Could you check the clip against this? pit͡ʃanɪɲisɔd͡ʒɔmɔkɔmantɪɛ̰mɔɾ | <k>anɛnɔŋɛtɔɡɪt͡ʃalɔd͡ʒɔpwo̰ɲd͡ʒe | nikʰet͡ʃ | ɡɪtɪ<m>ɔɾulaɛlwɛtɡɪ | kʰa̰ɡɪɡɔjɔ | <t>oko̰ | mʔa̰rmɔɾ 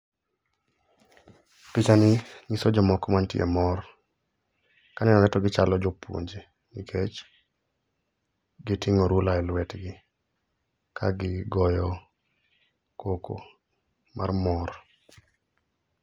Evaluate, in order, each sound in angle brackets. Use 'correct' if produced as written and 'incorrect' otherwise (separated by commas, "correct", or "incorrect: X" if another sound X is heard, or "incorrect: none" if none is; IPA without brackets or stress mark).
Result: correct, incorrect: ŋ, incorrect: k